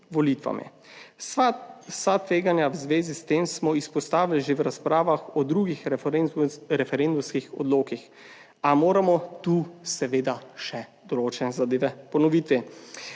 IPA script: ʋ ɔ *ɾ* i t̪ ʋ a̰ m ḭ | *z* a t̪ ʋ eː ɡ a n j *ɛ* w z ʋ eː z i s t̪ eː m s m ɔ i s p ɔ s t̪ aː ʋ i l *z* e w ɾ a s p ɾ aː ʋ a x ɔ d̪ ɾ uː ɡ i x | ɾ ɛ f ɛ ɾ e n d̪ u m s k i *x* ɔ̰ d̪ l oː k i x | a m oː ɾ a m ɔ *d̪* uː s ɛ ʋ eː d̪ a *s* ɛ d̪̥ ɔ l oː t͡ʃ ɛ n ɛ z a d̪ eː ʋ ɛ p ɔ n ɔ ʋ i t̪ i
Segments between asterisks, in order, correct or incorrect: incorrect, incorrect, incorrect, incorrect, correct, incorrect, incorrect

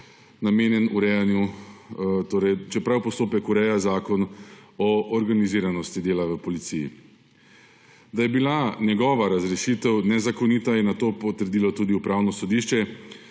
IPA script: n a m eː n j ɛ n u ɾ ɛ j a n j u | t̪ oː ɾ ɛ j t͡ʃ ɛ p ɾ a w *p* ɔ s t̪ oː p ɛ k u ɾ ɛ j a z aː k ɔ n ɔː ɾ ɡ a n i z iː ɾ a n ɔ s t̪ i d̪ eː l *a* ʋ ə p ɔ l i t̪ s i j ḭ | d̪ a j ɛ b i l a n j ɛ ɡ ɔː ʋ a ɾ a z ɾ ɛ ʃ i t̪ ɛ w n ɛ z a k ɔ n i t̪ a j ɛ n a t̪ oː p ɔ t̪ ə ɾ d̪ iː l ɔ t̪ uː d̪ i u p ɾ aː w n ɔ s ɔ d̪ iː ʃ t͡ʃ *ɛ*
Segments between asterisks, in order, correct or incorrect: correct, correct, correct

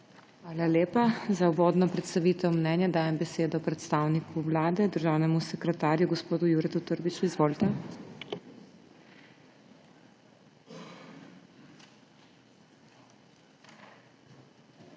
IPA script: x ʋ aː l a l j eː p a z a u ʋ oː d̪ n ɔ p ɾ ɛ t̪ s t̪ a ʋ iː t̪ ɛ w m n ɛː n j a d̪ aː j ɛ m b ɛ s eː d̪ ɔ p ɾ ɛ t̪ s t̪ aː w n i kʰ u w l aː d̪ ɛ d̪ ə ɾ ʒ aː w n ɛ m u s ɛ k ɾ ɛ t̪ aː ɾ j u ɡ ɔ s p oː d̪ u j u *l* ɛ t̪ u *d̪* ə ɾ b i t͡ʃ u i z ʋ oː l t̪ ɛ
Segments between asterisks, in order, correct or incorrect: incorrect, incorrect

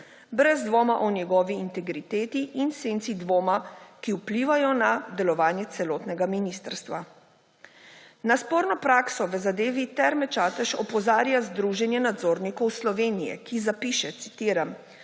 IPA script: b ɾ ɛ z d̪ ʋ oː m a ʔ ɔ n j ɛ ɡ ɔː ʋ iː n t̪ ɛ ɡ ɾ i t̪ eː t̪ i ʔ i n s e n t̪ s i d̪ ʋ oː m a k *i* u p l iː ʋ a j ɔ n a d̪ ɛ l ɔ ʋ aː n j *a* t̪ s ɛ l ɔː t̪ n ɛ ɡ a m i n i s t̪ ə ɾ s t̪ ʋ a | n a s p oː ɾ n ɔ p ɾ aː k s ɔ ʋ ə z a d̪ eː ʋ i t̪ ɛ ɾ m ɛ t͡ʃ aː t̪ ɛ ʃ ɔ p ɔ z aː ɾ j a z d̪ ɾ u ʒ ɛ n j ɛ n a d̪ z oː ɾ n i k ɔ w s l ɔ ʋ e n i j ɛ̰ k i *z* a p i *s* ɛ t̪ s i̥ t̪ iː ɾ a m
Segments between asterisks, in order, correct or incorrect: correct, incorrect, correct, incorrect

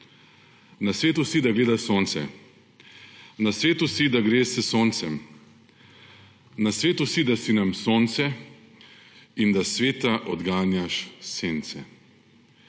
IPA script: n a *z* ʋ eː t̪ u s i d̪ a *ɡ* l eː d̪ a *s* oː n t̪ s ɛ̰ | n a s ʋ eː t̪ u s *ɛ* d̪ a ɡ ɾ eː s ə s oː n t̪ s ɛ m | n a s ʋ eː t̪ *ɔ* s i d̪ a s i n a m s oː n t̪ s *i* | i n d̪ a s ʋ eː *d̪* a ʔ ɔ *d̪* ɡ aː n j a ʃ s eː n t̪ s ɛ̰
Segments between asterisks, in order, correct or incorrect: incorrect, correct, correct, incorrect, incorrect, incorrect, incorrect, correct

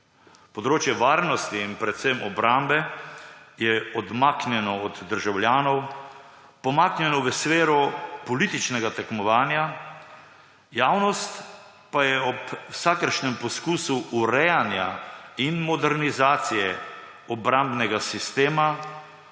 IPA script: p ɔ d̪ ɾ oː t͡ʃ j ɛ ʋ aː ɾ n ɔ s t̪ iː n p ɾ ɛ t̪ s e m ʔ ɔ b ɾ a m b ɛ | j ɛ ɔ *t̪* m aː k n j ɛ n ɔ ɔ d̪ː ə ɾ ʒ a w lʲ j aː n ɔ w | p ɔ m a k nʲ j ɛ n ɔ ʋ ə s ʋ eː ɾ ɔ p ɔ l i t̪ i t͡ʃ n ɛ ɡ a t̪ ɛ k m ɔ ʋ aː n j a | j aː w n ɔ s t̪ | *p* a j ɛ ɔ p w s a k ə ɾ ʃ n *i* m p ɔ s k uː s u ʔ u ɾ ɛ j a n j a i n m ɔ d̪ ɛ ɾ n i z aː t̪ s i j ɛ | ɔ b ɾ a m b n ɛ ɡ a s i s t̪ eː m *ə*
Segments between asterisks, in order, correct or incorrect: incorrect, correct, incorrect, incorrect

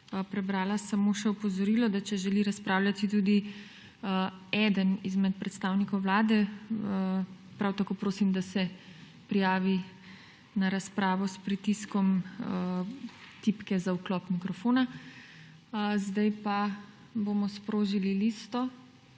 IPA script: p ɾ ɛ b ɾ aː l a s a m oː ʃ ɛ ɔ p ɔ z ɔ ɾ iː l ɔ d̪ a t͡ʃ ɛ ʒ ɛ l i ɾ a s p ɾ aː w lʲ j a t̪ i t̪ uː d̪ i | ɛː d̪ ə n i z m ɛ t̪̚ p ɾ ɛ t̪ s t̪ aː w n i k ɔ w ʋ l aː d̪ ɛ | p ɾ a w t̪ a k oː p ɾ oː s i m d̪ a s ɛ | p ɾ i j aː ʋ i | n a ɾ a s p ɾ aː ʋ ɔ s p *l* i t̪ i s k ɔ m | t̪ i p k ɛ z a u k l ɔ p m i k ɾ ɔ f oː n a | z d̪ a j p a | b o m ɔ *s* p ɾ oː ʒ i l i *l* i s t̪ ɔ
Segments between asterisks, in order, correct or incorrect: incorrect, correct, correct

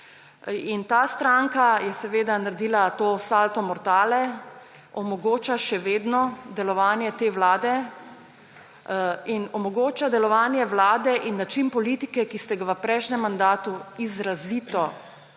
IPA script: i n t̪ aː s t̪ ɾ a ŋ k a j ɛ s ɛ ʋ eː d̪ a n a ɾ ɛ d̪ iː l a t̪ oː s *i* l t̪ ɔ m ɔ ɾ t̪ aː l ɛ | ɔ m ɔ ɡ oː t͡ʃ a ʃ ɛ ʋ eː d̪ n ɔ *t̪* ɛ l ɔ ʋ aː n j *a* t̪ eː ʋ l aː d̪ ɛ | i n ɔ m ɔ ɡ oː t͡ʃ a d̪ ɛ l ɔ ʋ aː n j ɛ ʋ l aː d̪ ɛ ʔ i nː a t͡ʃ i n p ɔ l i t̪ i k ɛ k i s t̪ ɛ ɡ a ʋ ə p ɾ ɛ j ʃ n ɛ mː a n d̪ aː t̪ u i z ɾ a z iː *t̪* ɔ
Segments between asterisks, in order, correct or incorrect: incorrect, incorrect, incorrect, correct

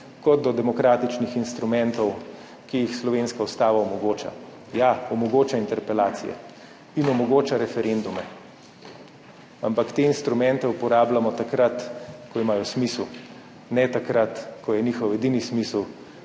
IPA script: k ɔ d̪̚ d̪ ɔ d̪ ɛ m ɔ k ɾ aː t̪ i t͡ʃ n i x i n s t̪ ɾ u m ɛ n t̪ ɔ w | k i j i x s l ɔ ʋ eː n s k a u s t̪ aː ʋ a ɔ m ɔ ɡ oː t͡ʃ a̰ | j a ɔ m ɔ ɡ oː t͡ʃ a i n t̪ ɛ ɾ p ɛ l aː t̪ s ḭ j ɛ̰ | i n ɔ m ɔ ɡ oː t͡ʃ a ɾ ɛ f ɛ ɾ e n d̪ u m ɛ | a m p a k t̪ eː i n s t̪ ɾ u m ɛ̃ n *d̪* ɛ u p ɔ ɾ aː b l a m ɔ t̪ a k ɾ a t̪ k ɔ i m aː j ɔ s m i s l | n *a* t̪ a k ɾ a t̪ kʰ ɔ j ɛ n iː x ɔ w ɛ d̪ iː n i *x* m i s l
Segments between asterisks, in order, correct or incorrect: incorrect, incorrect, incorrect

